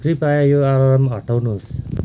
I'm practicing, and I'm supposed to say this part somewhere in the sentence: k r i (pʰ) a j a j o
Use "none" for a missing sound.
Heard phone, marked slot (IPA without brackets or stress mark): p